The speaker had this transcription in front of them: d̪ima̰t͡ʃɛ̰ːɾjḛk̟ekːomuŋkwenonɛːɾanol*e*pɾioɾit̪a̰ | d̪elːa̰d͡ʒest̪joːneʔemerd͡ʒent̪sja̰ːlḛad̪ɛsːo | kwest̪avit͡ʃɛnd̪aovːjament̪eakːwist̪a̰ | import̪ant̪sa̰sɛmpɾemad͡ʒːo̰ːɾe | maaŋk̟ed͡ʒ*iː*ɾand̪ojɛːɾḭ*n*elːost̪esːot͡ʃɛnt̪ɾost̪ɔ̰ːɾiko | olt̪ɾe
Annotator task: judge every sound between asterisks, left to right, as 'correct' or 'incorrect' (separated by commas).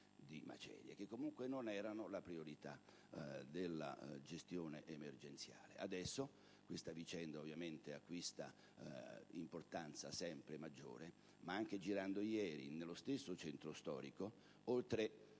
incorrect, incorrect, correct